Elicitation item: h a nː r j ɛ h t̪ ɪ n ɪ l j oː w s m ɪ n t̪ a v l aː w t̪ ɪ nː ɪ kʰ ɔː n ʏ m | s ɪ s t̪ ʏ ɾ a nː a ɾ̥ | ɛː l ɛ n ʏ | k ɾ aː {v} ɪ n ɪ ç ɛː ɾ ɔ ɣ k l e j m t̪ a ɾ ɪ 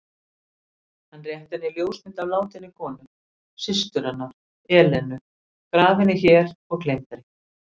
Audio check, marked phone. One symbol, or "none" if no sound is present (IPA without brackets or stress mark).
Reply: v